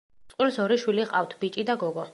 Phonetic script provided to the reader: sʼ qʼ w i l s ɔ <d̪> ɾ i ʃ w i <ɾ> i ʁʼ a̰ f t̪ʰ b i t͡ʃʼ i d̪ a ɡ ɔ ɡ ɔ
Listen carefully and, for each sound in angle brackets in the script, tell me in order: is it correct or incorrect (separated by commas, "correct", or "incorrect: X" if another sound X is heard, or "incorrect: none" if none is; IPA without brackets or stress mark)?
incorrect: none, incorrect: l